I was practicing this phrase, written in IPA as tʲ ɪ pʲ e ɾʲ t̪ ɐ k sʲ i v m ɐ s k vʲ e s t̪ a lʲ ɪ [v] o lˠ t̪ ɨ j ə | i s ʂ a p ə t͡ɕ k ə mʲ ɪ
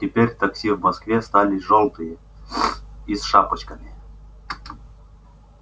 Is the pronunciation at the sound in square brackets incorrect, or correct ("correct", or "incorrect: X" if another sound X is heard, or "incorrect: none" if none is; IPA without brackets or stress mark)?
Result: incorrect: ʐ